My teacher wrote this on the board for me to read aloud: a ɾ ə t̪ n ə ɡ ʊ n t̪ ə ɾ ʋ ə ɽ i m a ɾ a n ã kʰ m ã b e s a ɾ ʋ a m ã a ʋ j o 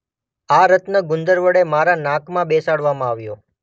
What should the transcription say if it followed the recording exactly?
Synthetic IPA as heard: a ɾ ə t̪ n ə ɡ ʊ n d̪ ə ɾ ʋ ə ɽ e m a ɾ a n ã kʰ m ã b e s a ɽ ʋ a m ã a ʋ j o